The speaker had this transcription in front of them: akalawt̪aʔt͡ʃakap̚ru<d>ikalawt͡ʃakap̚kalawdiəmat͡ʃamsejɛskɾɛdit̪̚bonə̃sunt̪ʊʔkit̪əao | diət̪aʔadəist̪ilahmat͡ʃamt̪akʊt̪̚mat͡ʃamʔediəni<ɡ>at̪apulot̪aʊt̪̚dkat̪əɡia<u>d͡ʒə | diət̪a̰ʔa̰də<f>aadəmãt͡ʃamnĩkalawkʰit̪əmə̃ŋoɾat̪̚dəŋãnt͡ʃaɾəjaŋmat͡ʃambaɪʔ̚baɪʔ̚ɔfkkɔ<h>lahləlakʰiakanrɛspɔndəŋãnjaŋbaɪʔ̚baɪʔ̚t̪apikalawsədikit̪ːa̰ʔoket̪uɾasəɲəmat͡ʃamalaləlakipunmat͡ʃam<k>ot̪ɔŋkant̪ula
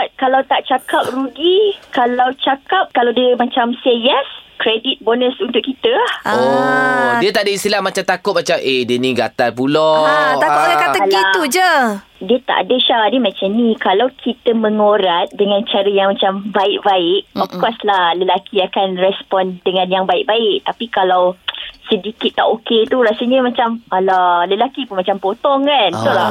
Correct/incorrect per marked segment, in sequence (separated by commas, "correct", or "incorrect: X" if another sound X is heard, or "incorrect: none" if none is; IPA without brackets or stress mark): incorrect: ɡ, correct, correct, incorrect: ʃ, incorrect: s, incorrect: p